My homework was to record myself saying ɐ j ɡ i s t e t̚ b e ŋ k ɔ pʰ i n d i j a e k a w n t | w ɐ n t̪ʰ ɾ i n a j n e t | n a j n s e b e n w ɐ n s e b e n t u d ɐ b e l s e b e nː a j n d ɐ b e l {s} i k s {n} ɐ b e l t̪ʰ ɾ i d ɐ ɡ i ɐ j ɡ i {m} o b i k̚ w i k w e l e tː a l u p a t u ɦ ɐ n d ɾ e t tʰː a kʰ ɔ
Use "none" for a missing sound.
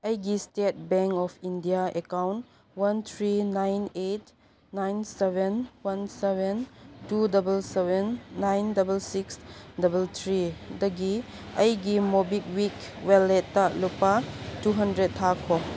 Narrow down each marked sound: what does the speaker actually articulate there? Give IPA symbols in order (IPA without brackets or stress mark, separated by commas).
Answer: s, d, m